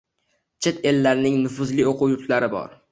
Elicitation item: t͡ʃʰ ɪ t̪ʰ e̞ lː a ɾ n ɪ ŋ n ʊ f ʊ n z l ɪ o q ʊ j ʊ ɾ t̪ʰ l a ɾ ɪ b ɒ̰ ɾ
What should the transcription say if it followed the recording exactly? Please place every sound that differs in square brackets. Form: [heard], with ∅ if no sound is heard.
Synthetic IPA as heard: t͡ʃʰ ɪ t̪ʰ e̞ lː a ɾ n ɪ ŋ n ʊ f ʊ [∅] z l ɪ o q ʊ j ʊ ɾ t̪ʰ l a ɾ ɪ b ɒ̰ ɾ